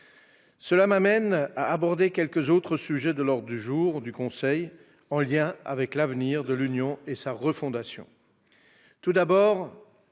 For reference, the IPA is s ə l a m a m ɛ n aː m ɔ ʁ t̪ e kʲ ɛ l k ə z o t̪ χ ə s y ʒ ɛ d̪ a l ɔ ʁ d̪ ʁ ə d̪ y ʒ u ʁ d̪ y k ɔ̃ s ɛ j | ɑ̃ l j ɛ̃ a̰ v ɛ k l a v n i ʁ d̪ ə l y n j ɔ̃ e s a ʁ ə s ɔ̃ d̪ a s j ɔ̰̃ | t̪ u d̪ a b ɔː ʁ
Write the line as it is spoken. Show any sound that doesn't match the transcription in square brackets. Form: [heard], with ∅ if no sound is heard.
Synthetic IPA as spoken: s ə l a m a m ɛ n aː [b] ɔ ʁ [d̪] e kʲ ɛ l k ə z o t̪ χ ə s y ʒ ɛ d̪ [ə] l ɔ ʁ d̪ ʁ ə d̪ y ʒ u ʁ d̪ y k ɔ̃ s ɛ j | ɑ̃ l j ɛ̃ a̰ v ɛ k l a v n i ʁ d̪ ə l y n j ɔ̃ e s a ʁ ə [f] ɔ̃ d̪ a s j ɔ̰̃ | t̪ u d̪ a b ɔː ʁ